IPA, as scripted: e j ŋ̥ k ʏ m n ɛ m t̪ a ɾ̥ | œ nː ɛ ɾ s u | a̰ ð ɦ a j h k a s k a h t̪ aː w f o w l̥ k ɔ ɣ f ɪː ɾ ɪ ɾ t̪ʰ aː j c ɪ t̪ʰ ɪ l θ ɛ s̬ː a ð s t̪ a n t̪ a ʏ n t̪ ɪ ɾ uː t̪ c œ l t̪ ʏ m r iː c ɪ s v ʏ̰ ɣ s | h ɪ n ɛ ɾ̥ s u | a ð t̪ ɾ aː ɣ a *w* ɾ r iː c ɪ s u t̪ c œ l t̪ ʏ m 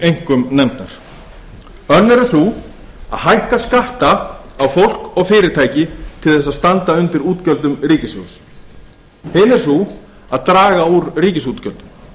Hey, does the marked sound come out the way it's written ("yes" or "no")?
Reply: no